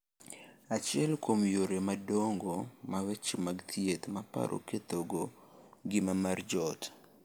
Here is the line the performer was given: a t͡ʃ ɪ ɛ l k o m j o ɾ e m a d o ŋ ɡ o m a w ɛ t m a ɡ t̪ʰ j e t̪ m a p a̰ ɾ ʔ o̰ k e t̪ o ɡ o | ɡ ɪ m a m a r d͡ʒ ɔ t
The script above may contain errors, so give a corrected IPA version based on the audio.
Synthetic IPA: a t͡ʃ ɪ ɛ l k o m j o ɾ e m a d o ŋ ɡ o m a w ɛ t͡ʃ m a ɡ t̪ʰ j e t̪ m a p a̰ ɾ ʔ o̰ k e t̪ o ɡ o | ɡ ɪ m a m a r d͡ʒ ɔ t